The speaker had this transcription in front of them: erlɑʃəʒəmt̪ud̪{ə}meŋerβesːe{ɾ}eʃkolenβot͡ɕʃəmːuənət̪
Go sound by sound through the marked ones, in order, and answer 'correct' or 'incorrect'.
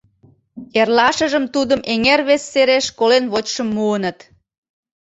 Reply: correct, correct

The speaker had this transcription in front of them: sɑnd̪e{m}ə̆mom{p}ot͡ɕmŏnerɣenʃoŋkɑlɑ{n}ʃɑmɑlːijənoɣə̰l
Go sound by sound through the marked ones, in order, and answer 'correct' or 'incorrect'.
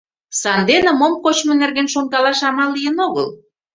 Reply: incorrect: n, incorrect: k, incorrect: none

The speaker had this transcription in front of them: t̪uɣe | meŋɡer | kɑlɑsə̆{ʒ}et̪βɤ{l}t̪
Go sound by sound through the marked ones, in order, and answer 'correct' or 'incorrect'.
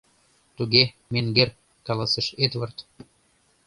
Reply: incorrect: ʃ, incorrect: r

